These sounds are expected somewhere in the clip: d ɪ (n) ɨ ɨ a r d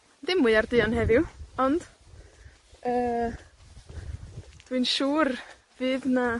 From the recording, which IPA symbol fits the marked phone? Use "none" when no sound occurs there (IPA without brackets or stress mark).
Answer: m